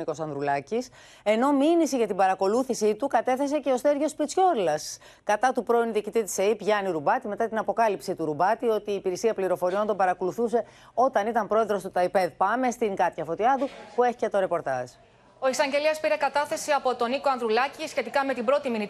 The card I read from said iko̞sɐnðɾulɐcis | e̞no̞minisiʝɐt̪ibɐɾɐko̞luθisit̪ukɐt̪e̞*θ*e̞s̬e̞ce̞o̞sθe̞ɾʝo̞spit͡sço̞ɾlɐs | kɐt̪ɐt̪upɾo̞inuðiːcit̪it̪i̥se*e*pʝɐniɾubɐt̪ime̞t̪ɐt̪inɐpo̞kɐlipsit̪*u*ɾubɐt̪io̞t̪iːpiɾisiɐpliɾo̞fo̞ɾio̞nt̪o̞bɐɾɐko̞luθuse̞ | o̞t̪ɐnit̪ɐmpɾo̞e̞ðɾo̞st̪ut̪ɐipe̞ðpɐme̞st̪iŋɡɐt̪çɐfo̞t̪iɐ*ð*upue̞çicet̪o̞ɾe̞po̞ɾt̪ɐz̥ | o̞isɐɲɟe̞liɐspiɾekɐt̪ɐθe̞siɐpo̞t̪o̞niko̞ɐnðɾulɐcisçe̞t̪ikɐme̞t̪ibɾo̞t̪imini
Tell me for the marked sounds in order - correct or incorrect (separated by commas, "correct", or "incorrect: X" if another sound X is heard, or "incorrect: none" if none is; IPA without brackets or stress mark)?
correct, incorrect: i, correct, correct